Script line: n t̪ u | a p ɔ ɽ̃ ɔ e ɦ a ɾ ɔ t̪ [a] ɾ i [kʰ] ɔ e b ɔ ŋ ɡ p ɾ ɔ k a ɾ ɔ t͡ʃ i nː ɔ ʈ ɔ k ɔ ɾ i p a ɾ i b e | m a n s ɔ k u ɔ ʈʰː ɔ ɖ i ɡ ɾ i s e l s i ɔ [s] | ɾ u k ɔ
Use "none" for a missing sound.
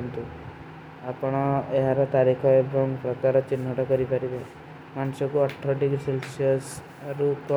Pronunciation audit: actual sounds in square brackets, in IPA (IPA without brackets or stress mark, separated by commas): a, kʰ, s